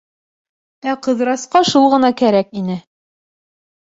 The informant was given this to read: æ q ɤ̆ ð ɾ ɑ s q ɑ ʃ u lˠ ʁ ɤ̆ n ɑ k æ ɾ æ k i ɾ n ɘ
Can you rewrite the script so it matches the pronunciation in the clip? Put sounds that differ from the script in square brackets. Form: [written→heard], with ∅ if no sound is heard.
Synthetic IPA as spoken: æ q ɤ̆ ð ɾ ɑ s q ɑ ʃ u lˠ ʁ ɤ̆ n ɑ k æ ɾ æ k i [ɾ→∅] n ɘ